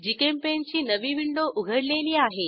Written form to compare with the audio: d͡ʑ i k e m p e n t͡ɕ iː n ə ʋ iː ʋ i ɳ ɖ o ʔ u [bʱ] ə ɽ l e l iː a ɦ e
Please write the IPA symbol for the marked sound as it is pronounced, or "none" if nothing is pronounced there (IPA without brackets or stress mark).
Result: ɡʱ